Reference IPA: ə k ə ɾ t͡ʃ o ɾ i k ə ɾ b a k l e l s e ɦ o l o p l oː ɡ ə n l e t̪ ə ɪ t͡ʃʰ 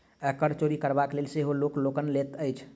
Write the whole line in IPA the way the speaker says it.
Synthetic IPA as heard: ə k ə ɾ t͡ʃ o ɾ i k ə ɾ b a k l e l s e ɦ o l o k l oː k ə n l e t̪ ə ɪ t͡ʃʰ